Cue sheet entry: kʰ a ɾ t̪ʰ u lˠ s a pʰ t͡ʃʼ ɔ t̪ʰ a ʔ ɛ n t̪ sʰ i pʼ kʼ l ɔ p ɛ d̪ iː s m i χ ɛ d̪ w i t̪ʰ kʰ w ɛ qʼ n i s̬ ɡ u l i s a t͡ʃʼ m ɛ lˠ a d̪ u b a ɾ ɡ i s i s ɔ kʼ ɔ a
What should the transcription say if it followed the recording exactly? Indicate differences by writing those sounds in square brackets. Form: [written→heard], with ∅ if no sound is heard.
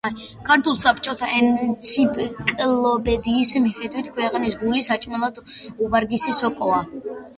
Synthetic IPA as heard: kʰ a ɾ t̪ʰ u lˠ s a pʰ t͡ʃʼ ɔ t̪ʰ a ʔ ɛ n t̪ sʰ i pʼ kʼ l ɔ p ɛ d̪ iː s m i χ ɛ d̪ w i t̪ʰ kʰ w ɛ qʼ n i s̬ ɡ u l i s a t͡ʃʼ m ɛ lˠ a d̪ u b a ɾ ɡ i s i s ɔ kʼ ɔ a

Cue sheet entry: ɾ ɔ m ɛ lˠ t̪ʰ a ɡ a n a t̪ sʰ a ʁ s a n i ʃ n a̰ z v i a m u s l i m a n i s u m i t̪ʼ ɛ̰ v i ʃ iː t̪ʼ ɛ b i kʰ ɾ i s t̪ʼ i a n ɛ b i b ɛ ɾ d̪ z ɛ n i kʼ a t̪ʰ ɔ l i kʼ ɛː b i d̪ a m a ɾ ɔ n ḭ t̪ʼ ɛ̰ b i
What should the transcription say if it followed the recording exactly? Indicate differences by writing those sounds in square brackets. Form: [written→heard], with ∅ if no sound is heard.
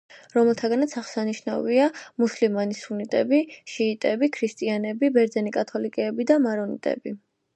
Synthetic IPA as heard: ɾ ɔ m ɛ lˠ t̪ʰ a ɡ a n a t̪ sʰ a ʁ s a n i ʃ n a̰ [z→∅] v i a m u s l i m a n i s u [m→n] i t̪ʼ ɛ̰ [v→b] i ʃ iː t̪ʼ ɛ b i kʰ ɾ i s t̪ʼ i a n ɛ b i b ɛ ɾ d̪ z ɛ n i kʼ a t̪ʰ ɔ l i kʼ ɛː b i d̪ a m a ɾ ɔ n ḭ t̪ʼ ɛ̰ b i

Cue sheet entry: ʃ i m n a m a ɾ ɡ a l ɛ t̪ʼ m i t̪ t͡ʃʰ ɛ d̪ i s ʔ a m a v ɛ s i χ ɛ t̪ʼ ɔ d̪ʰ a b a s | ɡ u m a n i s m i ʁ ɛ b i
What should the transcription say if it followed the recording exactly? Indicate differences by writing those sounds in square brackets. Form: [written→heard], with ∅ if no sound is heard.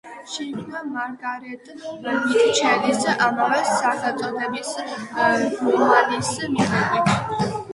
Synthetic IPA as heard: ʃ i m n a m a ɾ ɡ a [l→ɾ] ɛ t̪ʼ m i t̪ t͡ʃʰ ɛ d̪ i s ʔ a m a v ɛ s [i→a] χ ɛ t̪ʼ ɔ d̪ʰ [a→ɛ] b [a→i] s | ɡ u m a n i s m i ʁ ɛ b i

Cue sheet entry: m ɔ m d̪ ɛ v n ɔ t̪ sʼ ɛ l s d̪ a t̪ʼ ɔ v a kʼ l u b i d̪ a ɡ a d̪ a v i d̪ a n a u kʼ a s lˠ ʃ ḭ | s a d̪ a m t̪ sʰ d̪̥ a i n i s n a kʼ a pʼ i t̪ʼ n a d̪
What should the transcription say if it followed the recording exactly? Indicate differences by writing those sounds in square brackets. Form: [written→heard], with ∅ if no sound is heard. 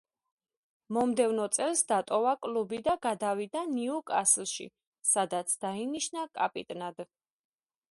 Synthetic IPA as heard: m ɔ m d̪ ɛ v n ɔ t̪ sʼ ɛ l s d̪ a t̪ʼ ɔ v a kʼ l u b i d̪ a ɡ a d̪ a v i d̪ a n [a→i] u kʼ a s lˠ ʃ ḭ | s a d̪ a [m→∅] t̪ sʰ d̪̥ a i n i [s→ʃ] n a kʼ a pʼ i t̪ʼ n a d̪

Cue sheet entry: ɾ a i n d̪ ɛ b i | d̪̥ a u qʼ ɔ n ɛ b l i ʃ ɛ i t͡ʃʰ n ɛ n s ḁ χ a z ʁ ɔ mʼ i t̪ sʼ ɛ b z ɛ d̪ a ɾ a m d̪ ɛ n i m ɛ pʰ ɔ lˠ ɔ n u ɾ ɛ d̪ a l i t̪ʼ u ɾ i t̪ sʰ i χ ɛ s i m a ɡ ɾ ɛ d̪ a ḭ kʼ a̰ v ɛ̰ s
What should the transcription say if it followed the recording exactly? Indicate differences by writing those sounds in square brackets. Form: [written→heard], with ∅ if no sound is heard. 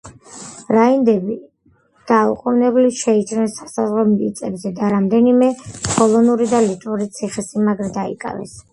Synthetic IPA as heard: ɾ a i n d̪ ɛ b i | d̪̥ a u qʼ [ɔ→u] n ɛ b l i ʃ ɛ i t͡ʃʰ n ɛ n s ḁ [χ→s] a z ʁ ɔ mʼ i t̪ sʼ ɛ b z ɛ d̪ a ɾ a m d̪ ɛ n i m ɛ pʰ ɔ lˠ ɔ n u ɾ [ɛ→i] d̪ a l i t̪ʼ u ɾ i t̪ sʰ i χ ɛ s i m a ɡ ɾ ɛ d̪ a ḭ kʼ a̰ v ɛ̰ s

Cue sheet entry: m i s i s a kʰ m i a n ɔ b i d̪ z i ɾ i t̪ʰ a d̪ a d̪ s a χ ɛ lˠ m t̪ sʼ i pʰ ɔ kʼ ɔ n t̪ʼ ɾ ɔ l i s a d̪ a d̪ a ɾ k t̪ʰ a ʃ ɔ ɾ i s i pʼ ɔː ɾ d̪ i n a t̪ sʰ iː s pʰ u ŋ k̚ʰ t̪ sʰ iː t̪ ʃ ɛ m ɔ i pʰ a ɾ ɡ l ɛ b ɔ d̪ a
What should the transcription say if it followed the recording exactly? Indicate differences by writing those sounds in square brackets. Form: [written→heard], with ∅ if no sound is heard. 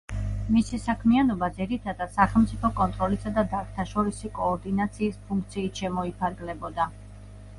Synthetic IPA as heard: m i s i s a kʰ m i a n ɔ b [i→a] d̪ z i ɾ i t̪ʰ a d̪ a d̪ s a χ ɛ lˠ m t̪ sʼ i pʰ ɔ kʼ ɔ n t̪ʼ ɾ ɔ l i s a d̪ a d̪ a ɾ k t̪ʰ a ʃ ɔ ɾ i s i [pʼ→kʼ] ɔː ɾ d̪ i n a t̪ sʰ iː s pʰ u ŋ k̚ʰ t̪ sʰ iː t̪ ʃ ɛ m ɔ i pʰ a ɾ ɡ l ɛ b ɔ d̪ a

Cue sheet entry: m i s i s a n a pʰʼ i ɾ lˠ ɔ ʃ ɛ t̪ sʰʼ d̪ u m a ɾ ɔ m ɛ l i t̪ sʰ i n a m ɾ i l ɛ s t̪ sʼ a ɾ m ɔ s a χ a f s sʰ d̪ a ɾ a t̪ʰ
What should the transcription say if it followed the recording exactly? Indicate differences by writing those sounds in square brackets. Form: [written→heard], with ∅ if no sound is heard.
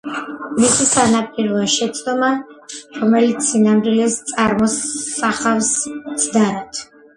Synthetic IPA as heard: m i s i s a n a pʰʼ i ɾ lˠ ɔ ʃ ɛ t̪ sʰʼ d̪ [u→ɔ] m a ɾ ɔ m ɛ l i t̪ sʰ i n a m ɾ i l ɛ s t̪ sʼ a ɾ m ɔ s a χ a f s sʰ d̪ a ɾ a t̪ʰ

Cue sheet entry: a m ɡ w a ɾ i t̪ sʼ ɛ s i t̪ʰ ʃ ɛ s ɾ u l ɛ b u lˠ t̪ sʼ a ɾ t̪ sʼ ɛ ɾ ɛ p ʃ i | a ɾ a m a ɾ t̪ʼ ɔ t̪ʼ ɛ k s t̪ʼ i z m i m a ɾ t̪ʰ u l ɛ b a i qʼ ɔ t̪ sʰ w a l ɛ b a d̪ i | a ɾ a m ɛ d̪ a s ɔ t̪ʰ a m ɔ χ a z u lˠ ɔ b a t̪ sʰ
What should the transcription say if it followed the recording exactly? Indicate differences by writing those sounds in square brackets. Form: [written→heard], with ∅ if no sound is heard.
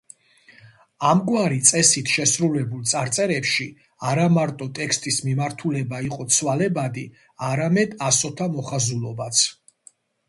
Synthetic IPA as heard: a m ɡ w a ɾ i t̪ sʼ ɛ s i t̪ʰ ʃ ɛ s ɾ u l ɛ b u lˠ t̪ sʼ a ɾ t̪ sʼ ɛ ɾ ɛ p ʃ i | a ɾ a m a ɾ t̪ʼ ɔ t̪ʼ ɛ k s t̪ʼ i [z→s] m i m a ɾ t̪ʰ u l ɛ b a i qʼ ɔ t̪ sʰ w a l ɛ b a d̪ i | a ɾ a m ɛ d̪ a s ɔ t̪ʰ a m ɔ χ a z u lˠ ɔ b a t̪ sʰ

